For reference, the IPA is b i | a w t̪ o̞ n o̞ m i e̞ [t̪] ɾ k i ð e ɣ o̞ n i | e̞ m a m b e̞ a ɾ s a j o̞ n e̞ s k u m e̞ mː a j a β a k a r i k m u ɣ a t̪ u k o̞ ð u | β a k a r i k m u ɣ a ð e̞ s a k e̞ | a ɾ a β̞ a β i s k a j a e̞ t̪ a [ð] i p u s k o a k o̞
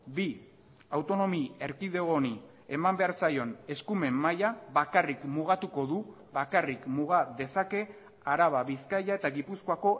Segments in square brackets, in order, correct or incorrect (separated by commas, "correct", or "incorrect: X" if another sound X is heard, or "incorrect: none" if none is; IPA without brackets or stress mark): incorrect: none, incorrect: ɣ